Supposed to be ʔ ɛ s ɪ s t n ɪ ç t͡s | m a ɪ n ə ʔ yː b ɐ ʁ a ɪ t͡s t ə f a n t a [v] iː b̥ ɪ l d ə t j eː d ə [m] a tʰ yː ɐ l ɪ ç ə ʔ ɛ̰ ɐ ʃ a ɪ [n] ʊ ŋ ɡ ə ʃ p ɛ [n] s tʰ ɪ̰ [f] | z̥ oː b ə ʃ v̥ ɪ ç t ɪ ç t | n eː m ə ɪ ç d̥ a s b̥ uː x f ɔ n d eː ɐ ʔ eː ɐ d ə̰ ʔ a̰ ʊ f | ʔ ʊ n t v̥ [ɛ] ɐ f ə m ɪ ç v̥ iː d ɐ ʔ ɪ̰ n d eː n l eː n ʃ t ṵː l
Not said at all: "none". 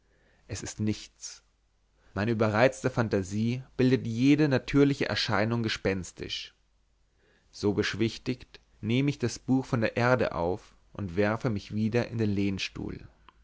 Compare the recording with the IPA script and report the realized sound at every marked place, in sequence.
z, n, n, n, ʃ, ɛ

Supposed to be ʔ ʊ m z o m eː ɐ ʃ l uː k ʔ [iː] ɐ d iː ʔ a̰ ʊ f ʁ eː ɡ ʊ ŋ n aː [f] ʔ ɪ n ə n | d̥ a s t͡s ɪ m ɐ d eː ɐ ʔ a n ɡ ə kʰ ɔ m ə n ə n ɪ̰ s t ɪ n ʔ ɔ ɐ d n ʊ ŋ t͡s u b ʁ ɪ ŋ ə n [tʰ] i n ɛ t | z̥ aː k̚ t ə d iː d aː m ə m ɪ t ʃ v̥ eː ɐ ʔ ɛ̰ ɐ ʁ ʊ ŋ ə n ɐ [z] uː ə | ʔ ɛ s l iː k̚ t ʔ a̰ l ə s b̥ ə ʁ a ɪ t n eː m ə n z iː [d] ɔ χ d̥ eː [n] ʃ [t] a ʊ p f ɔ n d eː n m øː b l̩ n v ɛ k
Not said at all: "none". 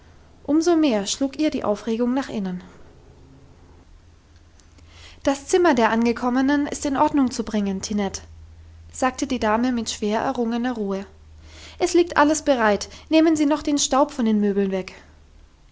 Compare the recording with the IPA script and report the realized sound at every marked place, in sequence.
iː, χ, tʰ, ʁ, n, n, t

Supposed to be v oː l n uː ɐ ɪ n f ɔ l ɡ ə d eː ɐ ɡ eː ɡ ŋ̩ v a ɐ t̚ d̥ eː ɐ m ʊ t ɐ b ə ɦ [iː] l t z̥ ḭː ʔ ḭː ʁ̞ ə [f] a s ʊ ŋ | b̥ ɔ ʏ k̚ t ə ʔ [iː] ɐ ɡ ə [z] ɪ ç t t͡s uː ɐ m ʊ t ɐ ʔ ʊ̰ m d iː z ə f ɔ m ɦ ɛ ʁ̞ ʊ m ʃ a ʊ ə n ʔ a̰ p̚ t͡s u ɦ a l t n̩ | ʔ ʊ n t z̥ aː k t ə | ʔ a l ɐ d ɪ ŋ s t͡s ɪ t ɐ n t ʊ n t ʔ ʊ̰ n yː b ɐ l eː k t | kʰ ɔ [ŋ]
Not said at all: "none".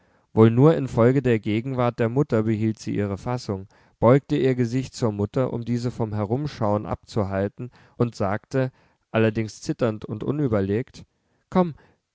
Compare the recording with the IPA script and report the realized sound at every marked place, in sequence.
iː, f, iː, z, m

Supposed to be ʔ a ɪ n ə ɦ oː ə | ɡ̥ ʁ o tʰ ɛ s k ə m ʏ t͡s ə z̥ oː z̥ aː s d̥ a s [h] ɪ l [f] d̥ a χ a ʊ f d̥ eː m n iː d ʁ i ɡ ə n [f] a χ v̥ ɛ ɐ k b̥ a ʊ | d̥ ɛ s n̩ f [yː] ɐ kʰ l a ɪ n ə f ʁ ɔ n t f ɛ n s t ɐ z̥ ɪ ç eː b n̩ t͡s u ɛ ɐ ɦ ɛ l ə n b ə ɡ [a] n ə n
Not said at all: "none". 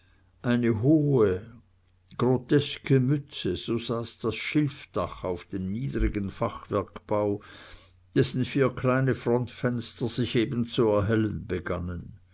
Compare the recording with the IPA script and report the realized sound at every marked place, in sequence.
ʃ, f, f, iː, a

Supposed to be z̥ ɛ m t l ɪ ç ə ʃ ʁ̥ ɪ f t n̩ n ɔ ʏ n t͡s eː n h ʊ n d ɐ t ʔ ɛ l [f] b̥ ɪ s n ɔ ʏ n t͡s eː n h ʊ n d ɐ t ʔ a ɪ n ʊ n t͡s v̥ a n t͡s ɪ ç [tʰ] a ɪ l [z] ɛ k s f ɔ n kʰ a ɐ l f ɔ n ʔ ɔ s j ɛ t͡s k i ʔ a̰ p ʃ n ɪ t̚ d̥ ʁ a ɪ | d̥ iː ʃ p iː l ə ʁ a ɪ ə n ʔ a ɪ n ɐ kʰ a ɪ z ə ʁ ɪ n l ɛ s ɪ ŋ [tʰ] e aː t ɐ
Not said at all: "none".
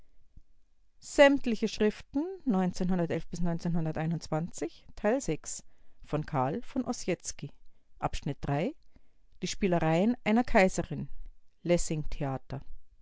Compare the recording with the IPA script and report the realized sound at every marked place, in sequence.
f, tʰ, z, tʰ

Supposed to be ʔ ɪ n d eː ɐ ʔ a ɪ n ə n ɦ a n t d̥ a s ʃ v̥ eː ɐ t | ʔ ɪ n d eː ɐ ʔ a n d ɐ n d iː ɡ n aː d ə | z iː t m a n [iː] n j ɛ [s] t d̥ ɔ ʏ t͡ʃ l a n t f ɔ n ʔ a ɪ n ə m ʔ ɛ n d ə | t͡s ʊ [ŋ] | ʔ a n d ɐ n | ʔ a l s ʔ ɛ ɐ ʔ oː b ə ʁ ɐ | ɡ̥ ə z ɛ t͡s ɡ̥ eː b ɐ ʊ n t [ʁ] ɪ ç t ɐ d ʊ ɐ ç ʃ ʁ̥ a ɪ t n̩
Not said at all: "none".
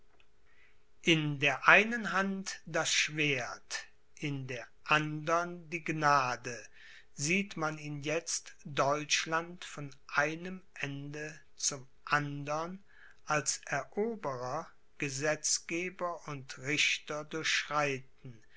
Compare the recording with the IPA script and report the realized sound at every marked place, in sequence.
iː, t͡s, m, ʁ

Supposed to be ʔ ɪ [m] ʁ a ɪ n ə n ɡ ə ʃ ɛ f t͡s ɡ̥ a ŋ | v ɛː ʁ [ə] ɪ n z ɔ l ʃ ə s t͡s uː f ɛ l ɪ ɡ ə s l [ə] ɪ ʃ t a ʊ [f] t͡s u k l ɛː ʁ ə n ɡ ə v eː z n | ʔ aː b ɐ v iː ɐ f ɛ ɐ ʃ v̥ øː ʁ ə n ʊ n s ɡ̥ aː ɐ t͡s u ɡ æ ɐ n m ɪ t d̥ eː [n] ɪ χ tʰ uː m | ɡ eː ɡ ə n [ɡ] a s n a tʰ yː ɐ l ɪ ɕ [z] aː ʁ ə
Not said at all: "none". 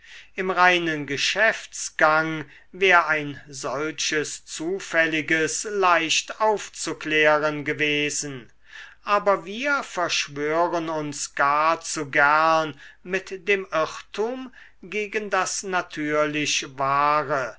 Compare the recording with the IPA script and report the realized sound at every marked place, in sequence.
m, a, a, f, m, d, v

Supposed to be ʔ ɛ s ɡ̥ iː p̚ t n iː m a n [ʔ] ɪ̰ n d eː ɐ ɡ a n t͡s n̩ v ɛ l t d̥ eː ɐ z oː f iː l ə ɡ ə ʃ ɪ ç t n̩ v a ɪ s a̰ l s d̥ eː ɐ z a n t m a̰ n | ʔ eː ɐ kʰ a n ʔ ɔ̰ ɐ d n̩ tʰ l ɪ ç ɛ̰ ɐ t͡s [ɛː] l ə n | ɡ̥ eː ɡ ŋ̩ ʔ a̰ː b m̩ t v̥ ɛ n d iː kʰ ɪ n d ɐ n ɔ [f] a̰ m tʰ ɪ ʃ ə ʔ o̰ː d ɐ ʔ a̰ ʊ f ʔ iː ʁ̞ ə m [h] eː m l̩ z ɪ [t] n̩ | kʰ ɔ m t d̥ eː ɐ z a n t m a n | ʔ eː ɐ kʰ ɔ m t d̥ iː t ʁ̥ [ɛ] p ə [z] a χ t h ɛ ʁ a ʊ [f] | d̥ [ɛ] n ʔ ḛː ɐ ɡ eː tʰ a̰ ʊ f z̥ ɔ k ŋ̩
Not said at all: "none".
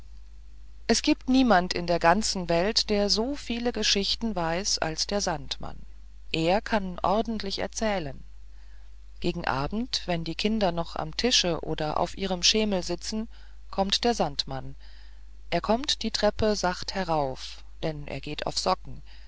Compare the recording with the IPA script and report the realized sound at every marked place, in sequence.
t, ɛː, χ, ʃ, t͡s, ɛ, z, f, ɛ

